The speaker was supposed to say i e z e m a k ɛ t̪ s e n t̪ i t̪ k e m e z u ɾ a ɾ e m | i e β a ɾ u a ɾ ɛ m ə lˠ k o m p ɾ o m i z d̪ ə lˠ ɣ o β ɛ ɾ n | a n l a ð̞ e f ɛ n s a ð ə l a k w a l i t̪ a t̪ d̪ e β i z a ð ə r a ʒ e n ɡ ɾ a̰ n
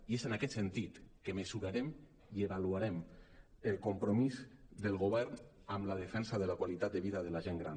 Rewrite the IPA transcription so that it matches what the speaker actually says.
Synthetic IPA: i e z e n a k ɛ t̪ s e n t̪ i t̪ k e m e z u ɾ a ɾ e m | i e β a l u a ɾ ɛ m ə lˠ k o m p ɾ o m i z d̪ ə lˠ ɣ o β ɛ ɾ n | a m l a ð̞ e f ɛ n s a ð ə l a k w a l i t̪ a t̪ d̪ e β i ð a ð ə l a ʒ e ŋ ɡ ɾ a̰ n